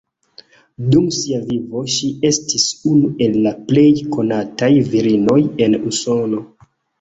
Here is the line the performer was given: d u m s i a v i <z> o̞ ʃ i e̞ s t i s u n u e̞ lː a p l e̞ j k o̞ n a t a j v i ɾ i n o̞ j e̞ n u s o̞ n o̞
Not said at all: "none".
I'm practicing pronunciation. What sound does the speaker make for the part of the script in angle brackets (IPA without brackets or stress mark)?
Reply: v